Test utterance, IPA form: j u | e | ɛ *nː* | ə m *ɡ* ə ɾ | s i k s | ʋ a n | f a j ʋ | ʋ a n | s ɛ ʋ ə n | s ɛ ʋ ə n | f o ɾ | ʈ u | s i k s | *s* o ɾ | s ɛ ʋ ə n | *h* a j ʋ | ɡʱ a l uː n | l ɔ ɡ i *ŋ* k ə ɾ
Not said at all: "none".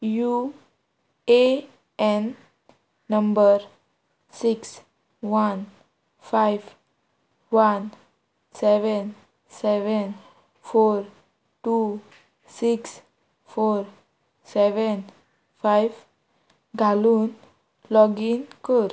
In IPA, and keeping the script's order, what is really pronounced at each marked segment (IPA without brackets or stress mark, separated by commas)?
nː, b, f, f, n